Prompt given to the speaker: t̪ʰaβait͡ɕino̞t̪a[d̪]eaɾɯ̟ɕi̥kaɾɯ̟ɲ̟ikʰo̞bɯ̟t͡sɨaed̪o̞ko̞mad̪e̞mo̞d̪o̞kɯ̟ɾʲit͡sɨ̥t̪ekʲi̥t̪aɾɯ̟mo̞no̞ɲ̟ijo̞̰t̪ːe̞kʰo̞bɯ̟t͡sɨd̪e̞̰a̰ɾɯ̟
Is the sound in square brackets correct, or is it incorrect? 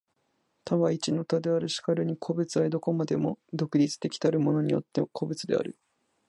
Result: correct